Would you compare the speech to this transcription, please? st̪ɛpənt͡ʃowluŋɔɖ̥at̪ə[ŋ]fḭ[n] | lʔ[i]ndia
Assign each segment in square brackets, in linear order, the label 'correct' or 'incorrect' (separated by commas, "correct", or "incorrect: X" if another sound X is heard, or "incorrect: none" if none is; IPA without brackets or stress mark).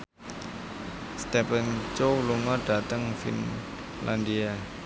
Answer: correct, correct, incorrect: a